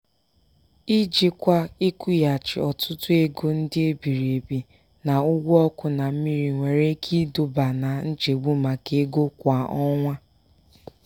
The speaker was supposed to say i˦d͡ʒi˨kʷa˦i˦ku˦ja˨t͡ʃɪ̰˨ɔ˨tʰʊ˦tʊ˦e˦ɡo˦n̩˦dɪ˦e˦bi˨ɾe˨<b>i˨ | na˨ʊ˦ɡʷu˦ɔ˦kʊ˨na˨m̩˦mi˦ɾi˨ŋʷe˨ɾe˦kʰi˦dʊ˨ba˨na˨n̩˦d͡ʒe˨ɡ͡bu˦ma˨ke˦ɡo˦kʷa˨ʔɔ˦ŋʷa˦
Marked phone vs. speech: correct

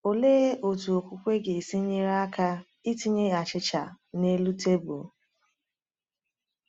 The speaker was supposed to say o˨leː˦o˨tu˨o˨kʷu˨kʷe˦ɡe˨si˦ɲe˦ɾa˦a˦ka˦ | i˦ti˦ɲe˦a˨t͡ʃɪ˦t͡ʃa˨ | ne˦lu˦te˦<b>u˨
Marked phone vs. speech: correct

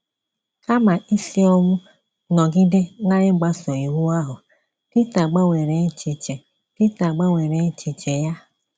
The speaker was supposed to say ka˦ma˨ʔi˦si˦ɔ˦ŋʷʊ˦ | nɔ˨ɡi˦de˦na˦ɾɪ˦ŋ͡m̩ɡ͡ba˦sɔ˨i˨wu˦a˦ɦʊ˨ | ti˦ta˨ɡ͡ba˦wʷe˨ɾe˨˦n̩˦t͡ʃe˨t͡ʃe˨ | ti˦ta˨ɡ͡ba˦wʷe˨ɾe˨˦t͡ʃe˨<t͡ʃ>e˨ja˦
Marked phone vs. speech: correct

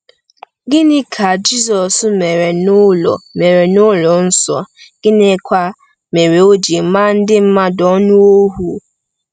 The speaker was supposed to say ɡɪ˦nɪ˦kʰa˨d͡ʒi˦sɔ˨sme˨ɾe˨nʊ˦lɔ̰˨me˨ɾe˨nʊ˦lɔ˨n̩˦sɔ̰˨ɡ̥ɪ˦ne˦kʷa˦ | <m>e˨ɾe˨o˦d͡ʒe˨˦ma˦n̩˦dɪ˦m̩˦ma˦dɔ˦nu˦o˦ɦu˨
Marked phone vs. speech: correct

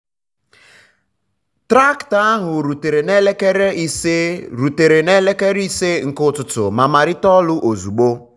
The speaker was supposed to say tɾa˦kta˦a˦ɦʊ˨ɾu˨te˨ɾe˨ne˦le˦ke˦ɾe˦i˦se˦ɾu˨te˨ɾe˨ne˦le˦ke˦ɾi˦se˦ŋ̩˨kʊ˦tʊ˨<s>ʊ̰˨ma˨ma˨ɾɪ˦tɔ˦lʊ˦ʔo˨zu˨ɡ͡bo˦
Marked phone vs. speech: incorrect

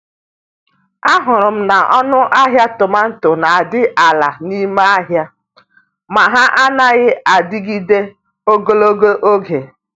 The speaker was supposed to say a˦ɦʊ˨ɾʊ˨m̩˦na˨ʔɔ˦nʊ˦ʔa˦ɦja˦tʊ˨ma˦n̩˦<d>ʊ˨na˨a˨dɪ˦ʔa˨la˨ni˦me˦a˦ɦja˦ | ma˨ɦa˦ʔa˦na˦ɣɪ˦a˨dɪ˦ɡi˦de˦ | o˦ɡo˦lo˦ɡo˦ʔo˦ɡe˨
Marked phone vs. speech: incorrect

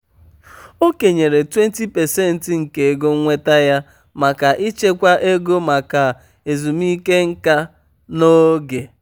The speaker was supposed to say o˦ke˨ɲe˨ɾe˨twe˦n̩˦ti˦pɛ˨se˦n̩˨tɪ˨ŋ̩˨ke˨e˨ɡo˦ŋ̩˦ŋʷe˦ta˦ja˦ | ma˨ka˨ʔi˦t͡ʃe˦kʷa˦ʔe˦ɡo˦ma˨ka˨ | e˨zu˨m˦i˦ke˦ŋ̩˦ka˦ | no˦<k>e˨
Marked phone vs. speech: incorrect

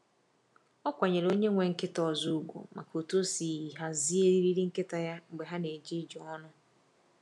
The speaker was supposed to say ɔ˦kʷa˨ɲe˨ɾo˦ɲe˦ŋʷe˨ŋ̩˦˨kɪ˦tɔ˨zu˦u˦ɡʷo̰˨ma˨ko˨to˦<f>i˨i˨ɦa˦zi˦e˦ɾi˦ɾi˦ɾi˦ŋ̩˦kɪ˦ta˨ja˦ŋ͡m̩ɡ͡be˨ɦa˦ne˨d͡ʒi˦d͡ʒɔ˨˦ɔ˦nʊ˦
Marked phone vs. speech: incorrect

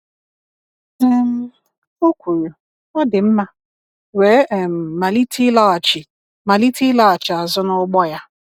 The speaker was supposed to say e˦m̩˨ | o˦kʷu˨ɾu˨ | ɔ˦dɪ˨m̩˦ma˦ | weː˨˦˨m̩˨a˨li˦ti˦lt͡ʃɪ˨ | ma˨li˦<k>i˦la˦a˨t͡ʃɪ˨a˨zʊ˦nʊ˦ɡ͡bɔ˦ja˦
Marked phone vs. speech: incorrect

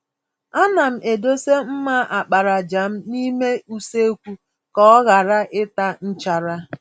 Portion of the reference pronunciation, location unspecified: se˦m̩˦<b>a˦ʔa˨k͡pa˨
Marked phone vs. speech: incorrect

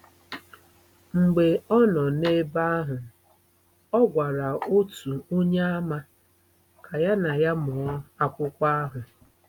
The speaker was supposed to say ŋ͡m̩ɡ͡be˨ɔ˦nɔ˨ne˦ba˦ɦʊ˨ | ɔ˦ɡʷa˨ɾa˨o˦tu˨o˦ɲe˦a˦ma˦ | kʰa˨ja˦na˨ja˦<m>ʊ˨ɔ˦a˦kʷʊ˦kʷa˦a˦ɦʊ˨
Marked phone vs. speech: correct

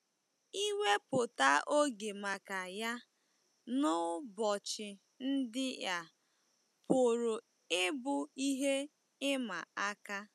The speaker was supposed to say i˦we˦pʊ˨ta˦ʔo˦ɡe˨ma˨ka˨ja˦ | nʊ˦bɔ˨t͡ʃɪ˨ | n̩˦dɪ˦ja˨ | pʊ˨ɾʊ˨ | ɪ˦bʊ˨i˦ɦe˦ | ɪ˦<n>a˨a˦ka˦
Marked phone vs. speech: incorrect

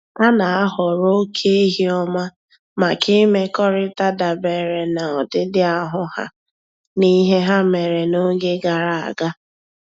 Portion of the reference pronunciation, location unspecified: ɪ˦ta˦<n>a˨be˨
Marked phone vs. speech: incorrect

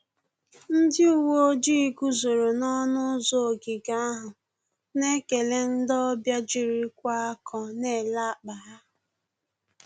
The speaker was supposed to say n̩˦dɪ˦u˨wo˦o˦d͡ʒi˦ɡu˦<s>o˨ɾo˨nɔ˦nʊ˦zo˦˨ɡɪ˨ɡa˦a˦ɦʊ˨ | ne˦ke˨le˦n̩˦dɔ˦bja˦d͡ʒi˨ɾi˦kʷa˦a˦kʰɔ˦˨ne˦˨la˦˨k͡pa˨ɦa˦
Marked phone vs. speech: incorrect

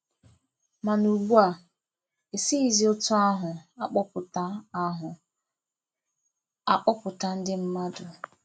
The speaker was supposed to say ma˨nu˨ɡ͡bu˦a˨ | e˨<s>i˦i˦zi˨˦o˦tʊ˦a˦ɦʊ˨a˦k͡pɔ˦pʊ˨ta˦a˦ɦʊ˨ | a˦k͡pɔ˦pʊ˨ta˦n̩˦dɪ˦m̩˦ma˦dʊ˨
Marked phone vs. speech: correct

